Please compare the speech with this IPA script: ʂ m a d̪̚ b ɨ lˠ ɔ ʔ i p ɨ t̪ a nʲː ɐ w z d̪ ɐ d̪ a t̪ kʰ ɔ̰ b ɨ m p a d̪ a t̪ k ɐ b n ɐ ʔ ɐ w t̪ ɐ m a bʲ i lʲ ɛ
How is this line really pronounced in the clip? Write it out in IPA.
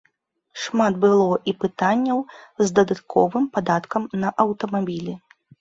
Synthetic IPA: ʂ m a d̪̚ b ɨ lˠ ɔ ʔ i p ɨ t̪ a nʲː ɐ w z d̪ ɐ d̪ a t̪ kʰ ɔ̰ v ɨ m p a d̪ a t̪ k ɐ m n ɐ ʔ ɐ w t̪ ɐ m a bʲ i lʲ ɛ